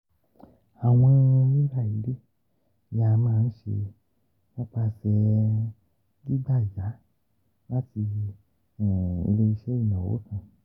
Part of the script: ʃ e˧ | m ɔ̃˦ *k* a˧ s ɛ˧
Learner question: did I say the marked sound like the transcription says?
no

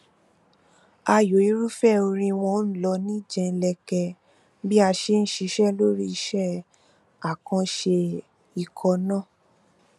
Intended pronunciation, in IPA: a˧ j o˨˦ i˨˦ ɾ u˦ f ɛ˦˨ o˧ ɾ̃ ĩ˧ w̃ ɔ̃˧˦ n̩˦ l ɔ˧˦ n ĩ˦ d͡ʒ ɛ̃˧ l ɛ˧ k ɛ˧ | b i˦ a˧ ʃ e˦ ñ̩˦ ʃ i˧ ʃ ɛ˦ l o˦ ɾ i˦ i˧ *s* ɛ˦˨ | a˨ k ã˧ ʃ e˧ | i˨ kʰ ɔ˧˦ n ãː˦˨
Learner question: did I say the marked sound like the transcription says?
no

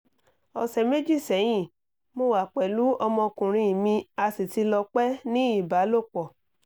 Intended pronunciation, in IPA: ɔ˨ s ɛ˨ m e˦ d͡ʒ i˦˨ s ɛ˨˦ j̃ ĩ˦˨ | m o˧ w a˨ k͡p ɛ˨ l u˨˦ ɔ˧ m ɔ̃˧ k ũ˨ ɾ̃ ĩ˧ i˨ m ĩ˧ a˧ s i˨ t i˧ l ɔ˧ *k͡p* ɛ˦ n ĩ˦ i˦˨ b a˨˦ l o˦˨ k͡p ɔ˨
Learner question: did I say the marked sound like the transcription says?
yes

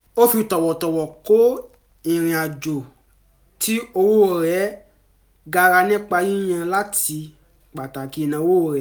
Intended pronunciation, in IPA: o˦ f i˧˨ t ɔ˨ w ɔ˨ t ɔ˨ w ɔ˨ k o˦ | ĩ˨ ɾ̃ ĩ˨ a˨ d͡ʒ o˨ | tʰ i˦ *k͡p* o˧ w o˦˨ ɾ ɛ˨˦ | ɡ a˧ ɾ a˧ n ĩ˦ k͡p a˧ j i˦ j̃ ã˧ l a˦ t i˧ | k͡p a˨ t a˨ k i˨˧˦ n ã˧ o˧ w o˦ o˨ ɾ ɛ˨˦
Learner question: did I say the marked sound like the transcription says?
no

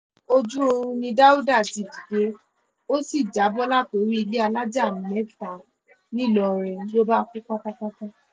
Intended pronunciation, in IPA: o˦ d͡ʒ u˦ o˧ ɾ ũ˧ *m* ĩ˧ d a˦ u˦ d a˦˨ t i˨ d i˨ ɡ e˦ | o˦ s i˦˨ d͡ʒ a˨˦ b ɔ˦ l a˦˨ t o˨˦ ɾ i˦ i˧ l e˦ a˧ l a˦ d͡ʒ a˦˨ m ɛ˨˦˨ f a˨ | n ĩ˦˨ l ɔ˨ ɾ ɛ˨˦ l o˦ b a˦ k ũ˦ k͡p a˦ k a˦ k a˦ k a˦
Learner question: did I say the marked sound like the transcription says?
no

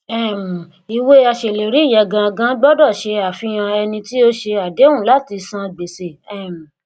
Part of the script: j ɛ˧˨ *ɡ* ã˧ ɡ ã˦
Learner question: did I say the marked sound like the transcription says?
yes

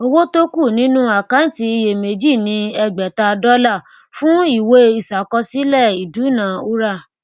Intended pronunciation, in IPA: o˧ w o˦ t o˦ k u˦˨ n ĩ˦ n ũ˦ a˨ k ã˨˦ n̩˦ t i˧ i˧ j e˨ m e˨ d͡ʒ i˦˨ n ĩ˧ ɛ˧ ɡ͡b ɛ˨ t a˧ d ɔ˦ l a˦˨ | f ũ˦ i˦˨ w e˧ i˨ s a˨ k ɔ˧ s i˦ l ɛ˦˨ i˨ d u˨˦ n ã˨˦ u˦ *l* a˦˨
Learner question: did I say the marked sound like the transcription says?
no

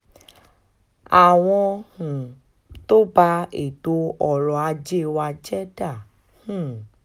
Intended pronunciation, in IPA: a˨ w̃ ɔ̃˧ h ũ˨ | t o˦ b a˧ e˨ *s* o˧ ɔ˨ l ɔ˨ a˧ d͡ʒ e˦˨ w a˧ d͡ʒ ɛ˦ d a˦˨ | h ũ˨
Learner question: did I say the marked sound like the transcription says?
no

